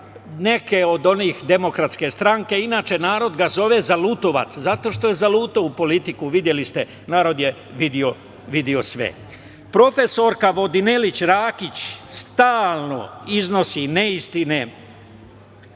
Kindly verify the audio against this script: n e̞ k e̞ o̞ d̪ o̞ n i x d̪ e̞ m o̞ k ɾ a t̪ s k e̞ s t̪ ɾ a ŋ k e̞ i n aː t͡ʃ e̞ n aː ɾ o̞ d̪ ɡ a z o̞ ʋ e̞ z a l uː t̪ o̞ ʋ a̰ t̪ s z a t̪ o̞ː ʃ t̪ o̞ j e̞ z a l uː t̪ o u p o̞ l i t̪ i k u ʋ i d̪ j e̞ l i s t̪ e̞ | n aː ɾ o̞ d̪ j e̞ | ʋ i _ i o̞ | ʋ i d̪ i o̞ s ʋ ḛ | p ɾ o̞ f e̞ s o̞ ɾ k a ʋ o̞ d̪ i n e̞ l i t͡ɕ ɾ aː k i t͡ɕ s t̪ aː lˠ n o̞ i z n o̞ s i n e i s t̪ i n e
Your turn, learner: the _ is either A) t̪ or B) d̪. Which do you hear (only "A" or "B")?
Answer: B